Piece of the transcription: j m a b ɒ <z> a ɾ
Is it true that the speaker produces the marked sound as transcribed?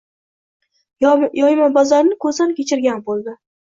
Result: yes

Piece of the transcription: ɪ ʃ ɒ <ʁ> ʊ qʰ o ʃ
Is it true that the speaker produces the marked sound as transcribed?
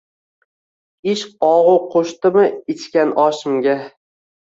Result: yes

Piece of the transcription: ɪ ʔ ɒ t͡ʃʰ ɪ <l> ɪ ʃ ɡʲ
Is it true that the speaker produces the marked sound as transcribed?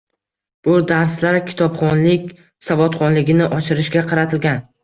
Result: no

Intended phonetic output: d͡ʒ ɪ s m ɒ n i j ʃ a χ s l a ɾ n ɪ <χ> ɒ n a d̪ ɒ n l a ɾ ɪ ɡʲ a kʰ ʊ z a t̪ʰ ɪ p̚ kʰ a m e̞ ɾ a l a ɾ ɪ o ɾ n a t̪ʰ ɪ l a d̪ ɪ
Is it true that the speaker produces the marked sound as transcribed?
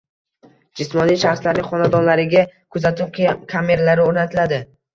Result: yes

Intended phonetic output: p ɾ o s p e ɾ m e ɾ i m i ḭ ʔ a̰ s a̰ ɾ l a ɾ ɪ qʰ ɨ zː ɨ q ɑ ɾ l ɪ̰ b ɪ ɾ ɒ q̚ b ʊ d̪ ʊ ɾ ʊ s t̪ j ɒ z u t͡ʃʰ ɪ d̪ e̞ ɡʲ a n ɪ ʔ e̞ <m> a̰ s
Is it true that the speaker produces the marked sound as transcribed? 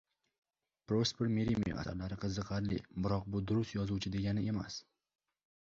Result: yes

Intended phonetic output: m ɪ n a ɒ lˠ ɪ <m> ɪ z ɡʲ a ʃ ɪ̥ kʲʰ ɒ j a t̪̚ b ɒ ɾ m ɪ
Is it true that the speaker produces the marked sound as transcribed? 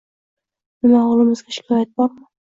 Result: yes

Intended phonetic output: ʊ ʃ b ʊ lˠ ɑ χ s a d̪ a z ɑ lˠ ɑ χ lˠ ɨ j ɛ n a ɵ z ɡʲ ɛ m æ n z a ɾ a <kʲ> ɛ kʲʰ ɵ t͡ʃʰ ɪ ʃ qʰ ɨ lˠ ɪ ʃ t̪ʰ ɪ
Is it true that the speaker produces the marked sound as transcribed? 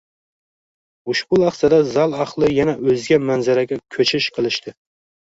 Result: no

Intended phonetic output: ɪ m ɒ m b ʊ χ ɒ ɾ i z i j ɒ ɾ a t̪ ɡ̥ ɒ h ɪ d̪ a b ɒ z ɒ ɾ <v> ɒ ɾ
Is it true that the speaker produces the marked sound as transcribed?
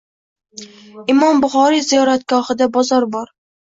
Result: no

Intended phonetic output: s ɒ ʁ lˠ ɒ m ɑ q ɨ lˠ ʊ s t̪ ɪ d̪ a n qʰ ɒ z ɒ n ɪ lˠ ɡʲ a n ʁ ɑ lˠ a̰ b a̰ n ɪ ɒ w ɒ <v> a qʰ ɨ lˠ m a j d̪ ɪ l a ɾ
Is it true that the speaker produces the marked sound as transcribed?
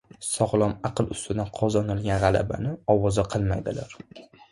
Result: no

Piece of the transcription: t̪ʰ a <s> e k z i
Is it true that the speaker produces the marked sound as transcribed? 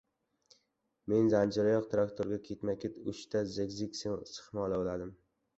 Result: no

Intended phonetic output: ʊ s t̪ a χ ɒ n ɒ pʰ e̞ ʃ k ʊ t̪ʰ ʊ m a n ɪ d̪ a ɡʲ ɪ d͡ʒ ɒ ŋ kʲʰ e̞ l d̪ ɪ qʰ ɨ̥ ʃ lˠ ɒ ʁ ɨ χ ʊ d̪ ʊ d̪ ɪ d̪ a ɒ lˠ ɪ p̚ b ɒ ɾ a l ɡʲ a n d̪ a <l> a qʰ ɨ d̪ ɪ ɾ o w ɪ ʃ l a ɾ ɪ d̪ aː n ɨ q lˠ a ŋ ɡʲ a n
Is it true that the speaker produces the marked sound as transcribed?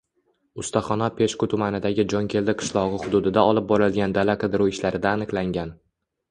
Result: yes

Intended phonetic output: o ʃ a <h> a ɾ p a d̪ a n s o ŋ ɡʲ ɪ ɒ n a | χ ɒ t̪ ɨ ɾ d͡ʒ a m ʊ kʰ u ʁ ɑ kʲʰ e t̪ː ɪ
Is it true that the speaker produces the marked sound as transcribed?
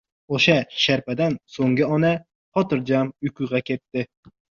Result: no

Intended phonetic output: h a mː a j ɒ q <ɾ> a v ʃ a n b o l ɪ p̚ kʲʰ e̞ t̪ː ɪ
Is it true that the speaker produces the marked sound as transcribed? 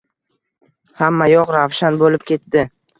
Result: yes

